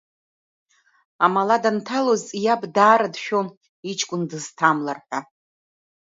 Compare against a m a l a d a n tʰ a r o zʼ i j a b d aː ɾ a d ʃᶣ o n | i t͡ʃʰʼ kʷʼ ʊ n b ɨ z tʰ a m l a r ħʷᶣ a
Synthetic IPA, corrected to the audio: a m a l a d a n tʰ a l o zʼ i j a b d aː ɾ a d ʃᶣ o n | i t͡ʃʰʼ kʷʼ ʊ n d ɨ z tʰ a m l a r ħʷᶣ a